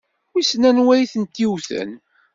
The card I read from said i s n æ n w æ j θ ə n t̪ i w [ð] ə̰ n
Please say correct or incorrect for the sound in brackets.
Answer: incorrect